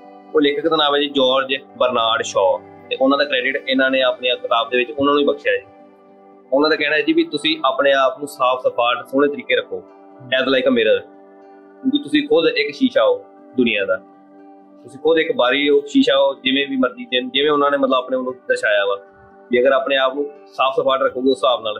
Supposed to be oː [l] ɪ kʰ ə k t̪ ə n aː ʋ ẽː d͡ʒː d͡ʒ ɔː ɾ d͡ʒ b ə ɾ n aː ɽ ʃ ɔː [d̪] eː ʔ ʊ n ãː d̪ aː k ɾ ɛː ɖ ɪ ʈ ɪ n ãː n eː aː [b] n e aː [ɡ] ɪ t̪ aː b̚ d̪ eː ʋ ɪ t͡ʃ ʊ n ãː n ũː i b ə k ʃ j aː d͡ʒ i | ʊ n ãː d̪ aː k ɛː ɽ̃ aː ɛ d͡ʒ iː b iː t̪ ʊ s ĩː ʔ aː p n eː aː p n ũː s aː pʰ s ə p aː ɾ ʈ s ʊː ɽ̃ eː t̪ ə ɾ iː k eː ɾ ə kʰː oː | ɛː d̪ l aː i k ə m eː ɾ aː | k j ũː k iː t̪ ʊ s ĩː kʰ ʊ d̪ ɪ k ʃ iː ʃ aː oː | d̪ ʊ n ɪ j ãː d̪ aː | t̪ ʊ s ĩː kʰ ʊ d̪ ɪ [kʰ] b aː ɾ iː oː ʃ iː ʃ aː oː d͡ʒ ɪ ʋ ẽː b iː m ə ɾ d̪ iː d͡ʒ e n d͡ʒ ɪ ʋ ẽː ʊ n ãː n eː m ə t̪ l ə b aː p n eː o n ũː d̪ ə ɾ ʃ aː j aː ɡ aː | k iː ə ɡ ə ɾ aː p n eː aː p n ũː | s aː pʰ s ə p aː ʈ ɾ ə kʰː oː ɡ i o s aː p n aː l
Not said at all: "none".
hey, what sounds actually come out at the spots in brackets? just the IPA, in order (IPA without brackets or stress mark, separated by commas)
l, t̪, p, k, k